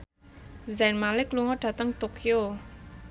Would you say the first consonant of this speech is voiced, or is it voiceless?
voiced